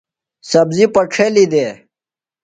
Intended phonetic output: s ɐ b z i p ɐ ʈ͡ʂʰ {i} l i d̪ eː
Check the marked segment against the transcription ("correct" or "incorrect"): incorrect